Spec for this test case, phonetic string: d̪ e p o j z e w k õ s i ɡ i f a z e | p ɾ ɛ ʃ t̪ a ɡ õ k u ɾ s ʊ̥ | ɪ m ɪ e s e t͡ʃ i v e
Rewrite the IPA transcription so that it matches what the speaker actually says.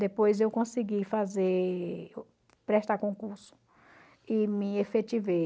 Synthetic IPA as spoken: d̪ e p o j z e w k õ s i ɡ i f a z e | p ɾ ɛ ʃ t̪ a k õ k u ɾ s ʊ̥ | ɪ m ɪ e f e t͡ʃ i v e